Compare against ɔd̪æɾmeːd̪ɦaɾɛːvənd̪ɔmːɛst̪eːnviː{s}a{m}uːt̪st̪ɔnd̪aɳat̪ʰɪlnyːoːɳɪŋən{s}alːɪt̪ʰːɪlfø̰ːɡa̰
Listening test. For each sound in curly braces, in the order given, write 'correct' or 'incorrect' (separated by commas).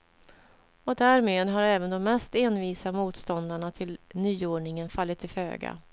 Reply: correct, correct, incorrect